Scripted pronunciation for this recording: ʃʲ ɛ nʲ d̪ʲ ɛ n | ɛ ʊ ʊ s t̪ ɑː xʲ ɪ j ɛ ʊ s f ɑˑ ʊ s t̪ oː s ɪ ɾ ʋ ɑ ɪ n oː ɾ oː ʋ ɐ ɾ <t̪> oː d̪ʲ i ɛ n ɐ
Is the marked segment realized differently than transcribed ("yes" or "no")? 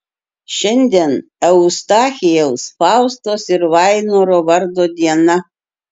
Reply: yes